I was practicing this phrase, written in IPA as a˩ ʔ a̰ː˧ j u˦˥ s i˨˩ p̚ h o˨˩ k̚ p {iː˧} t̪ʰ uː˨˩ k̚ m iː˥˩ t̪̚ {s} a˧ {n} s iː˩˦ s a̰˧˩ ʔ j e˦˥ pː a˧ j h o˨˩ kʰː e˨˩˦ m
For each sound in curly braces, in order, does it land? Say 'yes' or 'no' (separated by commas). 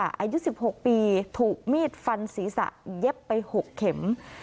yes, no, yes